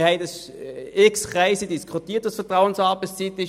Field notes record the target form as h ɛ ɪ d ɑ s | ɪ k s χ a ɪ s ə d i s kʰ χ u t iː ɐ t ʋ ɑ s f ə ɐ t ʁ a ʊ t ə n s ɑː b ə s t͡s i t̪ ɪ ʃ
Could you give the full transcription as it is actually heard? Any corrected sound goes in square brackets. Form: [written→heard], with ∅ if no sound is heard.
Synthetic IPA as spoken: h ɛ ɪ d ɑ s | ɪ k s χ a ɪ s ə d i s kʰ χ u t iː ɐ t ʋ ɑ s f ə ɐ t ʁ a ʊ [t→∅] ə n s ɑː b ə s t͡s i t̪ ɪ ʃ